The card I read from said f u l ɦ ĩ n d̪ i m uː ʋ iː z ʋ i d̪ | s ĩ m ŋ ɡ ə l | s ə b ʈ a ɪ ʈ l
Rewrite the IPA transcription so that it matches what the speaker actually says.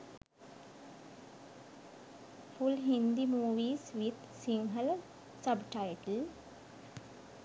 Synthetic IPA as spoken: f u l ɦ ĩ n d̪ i m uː ʋ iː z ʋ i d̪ | s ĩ ŋ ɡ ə l | s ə b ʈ a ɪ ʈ l